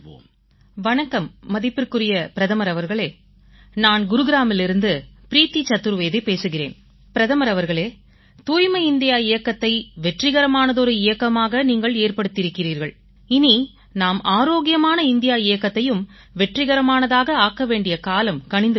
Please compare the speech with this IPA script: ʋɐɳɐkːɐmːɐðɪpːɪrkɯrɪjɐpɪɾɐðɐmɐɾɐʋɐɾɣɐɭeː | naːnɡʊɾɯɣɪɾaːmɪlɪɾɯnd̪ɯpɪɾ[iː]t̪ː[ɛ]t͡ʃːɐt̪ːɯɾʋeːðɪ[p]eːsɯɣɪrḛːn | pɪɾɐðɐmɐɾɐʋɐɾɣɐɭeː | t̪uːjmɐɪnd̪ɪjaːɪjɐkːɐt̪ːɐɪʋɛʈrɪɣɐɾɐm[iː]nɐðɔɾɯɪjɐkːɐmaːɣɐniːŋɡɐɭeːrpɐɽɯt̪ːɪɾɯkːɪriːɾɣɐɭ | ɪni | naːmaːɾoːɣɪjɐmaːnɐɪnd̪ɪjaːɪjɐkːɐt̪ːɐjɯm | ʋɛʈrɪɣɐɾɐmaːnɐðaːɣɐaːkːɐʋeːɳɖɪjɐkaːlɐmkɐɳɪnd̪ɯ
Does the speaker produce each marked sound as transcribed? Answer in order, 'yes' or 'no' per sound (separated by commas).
yes, no, yes, no